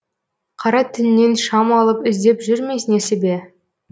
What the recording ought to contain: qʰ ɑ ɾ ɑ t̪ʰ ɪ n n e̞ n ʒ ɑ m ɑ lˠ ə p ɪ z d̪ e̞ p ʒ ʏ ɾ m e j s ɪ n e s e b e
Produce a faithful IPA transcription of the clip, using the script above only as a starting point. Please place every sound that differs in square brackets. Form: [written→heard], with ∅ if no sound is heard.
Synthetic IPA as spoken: qʰ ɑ ɾ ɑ t̪ʰ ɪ n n e̞ n [ʒ→ʃ] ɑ m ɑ lˠ ə p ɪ z d̪ e̞ p ʒ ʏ ɾ m e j s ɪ n e s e b e